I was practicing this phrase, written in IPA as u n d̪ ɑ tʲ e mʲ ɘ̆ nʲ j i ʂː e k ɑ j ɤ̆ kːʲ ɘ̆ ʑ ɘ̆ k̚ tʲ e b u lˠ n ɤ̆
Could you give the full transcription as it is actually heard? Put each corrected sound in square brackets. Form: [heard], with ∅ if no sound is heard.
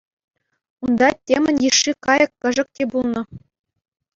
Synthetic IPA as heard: u n d̪ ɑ tʲ e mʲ ɘ̆ nʲ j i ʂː [i] k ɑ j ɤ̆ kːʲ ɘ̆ [ʐ] ɘ̆ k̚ tʲ e b u lˠ n ɤ̆

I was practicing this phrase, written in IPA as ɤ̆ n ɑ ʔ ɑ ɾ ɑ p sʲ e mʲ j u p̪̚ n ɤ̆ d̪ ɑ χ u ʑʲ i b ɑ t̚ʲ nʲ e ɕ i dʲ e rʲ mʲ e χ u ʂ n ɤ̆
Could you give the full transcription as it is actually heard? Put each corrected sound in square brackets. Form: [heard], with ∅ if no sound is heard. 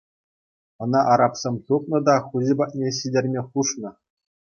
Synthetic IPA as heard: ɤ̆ n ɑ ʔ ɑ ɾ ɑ p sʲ e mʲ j u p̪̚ n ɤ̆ d̪ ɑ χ u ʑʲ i b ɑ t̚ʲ nʲ e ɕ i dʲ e rʲ mʲ e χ u ʂ n ɤ̆

